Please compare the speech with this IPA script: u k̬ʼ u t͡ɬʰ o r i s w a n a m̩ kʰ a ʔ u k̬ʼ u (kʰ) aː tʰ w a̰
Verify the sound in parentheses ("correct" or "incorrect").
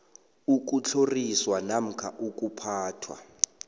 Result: incorrect